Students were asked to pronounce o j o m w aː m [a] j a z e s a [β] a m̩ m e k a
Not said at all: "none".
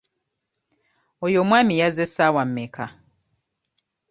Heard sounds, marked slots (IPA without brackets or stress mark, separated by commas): i, w